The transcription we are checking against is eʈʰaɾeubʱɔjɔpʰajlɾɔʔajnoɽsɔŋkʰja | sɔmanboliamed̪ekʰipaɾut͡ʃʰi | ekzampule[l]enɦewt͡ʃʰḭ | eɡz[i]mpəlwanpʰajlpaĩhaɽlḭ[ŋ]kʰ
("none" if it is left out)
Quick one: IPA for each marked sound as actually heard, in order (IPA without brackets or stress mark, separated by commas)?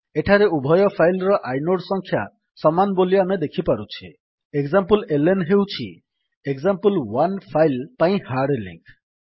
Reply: l, a, ŋ